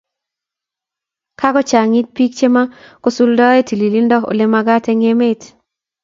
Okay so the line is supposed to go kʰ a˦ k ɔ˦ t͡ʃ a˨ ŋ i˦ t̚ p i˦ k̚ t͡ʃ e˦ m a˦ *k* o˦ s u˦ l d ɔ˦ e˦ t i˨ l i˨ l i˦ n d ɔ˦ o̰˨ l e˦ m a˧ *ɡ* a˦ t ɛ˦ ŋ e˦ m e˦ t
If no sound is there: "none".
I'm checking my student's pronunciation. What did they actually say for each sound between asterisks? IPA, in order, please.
k, ɡ

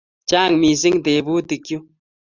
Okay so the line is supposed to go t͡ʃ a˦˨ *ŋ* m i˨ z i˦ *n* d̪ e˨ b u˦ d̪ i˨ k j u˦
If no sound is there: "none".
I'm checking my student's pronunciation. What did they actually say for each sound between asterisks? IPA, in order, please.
ŋ, ŋ

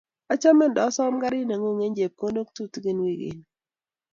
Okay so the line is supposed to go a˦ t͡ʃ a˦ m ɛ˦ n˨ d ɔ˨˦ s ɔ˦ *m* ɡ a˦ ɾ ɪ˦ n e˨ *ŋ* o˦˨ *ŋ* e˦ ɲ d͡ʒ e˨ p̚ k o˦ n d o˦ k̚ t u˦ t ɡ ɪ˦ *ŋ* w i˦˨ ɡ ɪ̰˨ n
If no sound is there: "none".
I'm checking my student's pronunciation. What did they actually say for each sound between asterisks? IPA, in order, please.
m, ŋ, ŋ, n

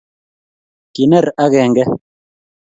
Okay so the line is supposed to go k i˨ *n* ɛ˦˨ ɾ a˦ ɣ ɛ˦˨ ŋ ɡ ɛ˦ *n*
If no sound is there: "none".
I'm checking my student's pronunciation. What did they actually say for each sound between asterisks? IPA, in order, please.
n, none

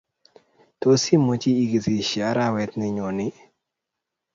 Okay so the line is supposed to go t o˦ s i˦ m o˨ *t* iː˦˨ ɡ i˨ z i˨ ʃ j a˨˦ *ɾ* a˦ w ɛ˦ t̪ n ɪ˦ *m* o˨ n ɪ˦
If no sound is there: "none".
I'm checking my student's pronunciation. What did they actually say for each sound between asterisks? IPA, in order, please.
t͡ʃ, ɾ, ɲ

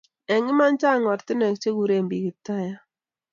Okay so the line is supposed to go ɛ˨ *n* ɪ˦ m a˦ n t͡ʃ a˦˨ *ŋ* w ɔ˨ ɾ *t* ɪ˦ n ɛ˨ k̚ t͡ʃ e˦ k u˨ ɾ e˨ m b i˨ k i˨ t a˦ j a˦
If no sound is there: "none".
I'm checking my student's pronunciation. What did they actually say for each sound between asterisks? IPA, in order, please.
ŋ, ŋ, t

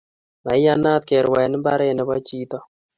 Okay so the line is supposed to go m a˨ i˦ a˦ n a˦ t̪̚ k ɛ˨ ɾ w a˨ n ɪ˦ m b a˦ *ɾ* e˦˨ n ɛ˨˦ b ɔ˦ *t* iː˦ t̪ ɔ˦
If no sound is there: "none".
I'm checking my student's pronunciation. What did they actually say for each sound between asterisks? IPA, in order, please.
ɾ, t͡ʃ

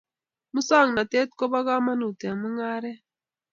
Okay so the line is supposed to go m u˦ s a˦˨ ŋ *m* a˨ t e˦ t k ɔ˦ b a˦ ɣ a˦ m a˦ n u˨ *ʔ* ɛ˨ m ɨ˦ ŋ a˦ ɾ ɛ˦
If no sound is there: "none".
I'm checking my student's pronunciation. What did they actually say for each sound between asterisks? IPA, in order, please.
n, t

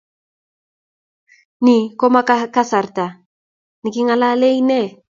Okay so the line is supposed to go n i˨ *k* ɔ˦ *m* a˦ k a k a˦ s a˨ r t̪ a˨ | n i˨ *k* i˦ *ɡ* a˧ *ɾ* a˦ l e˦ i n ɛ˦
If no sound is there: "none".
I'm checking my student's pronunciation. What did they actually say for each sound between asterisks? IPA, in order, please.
k, m, k, ŋ, l

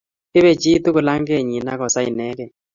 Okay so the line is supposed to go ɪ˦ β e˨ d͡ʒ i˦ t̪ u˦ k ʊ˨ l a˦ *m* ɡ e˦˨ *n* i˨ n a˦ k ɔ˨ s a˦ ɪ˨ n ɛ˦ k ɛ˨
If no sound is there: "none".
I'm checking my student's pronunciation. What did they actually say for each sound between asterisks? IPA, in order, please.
ŋ, ɲ

